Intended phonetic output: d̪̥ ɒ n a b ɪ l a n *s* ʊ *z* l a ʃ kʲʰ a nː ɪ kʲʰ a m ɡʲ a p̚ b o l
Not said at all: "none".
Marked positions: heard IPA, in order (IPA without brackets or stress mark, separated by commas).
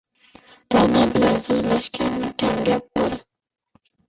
s, z